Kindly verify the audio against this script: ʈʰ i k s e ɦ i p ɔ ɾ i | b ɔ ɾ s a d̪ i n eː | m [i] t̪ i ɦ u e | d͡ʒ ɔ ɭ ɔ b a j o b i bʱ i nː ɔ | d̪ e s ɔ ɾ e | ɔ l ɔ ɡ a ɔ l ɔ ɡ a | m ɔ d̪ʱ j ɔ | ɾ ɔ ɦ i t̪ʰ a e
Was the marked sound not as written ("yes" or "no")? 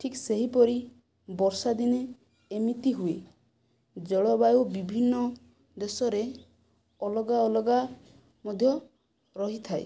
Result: no